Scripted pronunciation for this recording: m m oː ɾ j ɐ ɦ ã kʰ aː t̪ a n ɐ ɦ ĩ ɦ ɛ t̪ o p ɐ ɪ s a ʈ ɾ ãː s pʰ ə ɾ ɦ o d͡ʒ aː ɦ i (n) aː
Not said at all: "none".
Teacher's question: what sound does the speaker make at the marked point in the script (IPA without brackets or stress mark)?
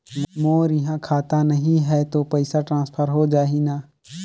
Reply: n